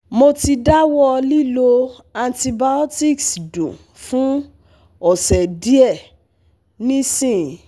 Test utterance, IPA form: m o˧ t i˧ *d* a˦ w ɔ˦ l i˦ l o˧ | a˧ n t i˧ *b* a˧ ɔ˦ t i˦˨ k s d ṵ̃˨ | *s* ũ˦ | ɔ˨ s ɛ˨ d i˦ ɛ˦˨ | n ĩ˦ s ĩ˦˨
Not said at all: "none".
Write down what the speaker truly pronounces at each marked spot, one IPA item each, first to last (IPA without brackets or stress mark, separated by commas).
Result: d, b, f